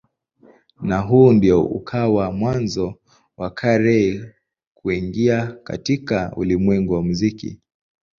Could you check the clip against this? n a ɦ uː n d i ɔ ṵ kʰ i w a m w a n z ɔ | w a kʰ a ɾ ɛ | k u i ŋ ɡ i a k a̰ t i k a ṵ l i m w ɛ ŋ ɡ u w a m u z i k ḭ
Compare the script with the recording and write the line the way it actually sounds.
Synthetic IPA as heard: n a ɦ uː n d i ɔ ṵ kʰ a w a m w a n z ɔ | w a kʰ a ɾ ɛ | k u i ŋ ɡ i a k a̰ t i k a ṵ l i m w ɛ ŋ ɡ u w a m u z i k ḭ